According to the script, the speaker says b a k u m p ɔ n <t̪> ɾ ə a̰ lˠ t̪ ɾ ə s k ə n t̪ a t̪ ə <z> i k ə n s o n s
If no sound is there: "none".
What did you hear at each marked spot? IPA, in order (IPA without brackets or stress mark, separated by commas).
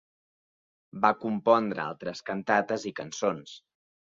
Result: d̪, z